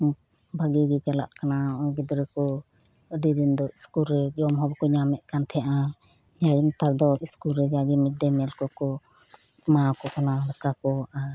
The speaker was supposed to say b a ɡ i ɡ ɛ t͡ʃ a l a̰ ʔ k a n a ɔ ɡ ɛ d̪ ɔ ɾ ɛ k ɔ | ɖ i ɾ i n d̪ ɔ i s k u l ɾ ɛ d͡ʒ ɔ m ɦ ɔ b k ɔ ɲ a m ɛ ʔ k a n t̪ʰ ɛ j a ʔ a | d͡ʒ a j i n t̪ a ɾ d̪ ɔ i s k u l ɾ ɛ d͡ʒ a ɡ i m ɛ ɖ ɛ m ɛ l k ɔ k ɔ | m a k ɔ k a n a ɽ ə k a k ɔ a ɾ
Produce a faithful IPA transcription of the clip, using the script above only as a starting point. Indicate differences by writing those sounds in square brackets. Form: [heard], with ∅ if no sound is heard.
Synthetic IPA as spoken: b a ɡ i ɡ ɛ t͡ʃ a l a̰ ʔ k a n a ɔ ɡ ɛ d̪ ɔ ɾ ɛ k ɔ | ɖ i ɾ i n d̪ ɔ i s k u l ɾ ɛ d͡ʒ ɔ m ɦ ɔ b k ɔ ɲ a m ɛ ʔ k a n t̪ʰ ɛ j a ʔ a | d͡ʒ a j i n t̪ a ɾ d̪ ɔ i s k u l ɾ ɛ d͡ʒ a ɡ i m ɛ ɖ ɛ m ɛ l k ɔ k ɔ | m a k ɔ k a n a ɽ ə k a k ɔ a ɾ

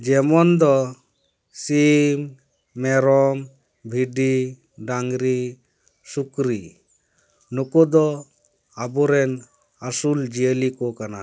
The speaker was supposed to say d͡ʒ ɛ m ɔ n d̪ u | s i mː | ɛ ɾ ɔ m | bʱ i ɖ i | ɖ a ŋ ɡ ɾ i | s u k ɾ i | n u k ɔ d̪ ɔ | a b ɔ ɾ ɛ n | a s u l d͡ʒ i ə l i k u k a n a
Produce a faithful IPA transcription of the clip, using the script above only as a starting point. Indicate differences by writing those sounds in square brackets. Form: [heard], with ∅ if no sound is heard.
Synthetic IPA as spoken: d͡ʒ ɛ m ɔ n d̪ [ɔ] | s i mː | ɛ ɾ ɔ m | bʱ i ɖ i | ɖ a ŋ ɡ ɾ i | s u k ɾ i | n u k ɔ d̪ ɔ | a b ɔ ɾ ɛ n | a s u l d͡ʒ i ə l i k [ɔ] k a n a

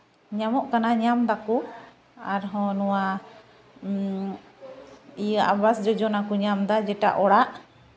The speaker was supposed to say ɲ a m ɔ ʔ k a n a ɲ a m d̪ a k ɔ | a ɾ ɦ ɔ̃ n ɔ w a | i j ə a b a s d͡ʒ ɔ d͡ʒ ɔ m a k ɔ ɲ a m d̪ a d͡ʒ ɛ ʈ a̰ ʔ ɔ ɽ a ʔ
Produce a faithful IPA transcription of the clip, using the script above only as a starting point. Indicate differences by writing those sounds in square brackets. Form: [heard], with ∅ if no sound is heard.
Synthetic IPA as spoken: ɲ a m ɔ ʔ k a n a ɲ a m d̪ a k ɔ | a ɾ ɦ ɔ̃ n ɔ w a | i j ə a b a s d͡ʒ ɔ d͡ʒ ɔ [n] a k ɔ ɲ a m d̪ a d͡ʒ ɛ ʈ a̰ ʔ ɔ ɽ a ʔ

